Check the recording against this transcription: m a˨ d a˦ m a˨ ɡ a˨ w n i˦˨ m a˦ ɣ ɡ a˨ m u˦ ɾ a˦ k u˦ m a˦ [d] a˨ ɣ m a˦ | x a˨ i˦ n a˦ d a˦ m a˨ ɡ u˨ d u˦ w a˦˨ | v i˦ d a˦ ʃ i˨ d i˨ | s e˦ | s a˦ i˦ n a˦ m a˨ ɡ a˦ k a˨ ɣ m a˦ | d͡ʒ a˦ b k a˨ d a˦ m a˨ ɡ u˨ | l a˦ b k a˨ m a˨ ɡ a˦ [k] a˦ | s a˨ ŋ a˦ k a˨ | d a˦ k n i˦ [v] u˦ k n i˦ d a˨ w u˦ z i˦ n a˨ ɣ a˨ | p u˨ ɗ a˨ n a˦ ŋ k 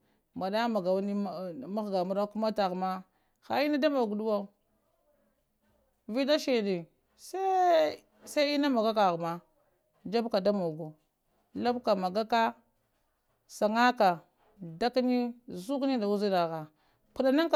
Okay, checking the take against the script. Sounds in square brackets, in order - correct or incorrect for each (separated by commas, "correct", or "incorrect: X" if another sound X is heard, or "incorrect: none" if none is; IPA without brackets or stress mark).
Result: incorrect: t, correct, incorrect: z